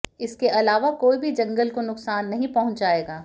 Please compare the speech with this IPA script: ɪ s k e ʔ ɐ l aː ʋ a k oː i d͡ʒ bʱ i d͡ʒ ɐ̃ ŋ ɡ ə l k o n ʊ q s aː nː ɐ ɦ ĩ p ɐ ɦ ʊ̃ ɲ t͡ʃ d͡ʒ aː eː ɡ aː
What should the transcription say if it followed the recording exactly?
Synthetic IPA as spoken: ɪ s k e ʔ ɐ l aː ʋ a k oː i bʱ i d͡ʒ ɐ̃ ŋ ɡ ə l k o n ʊ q s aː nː ɐ ɦ ĩ p ɐ ɦ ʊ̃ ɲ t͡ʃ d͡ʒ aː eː ɡ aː